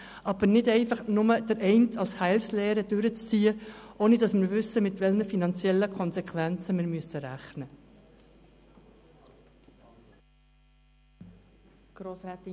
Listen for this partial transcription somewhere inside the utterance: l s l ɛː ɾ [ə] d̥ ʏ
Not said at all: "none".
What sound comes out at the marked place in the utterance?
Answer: ə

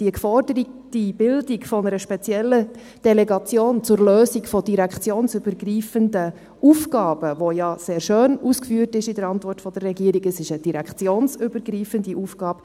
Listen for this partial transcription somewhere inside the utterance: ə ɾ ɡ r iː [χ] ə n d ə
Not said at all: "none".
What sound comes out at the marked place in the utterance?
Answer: f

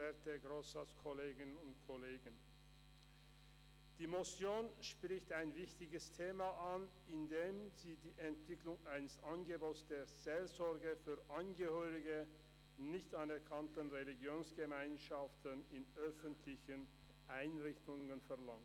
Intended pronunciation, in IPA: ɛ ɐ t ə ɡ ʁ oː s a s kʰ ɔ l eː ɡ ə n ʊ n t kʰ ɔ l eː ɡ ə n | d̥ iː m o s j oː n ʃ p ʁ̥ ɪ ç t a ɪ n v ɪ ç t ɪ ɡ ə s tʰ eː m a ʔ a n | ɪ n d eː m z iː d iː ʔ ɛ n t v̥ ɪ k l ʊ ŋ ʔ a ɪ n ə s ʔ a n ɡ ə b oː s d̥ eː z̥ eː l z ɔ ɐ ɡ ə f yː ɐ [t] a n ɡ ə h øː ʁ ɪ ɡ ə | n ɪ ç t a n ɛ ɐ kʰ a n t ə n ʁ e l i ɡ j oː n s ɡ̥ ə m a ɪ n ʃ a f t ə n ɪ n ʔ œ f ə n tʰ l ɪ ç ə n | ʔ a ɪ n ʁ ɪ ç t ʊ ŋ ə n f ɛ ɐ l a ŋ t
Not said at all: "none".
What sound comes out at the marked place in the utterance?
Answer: ʔ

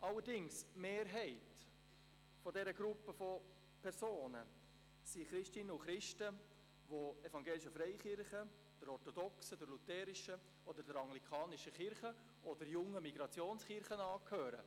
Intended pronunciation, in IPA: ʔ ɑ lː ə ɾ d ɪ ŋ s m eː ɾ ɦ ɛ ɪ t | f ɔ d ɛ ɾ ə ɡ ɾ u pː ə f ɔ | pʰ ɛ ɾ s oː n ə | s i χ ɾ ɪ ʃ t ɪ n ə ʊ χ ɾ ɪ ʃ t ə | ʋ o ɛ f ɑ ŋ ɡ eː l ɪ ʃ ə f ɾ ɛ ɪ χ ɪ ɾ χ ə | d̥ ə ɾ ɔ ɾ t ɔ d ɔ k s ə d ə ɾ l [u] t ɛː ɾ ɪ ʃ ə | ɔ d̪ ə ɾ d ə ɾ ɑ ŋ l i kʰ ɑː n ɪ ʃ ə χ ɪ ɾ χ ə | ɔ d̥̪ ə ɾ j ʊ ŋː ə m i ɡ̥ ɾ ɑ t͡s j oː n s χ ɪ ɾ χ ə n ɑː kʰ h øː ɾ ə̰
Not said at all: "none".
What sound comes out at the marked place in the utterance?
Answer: u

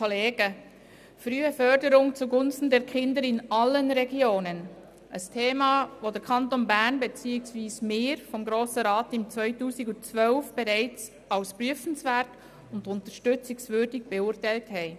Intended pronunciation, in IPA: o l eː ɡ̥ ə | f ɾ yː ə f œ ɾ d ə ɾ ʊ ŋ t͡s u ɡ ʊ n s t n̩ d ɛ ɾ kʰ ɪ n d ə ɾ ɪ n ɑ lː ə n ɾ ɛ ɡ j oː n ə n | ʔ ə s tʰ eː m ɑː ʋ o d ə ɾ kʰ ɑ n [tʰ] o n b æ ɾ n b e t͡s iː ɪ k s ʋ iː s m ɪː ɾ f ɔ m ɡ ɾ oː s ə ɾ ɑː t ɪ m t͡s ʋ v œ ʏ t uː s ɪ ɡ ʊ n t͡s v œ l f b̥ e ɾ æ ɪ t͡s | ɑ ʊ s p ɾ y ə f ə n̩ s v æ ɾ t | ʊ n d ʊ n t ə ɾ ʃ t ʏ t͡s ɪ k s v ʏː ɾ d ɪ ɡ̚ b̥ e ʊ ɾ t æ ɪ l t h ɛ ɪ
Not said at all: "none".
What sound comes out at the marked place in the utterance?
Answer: t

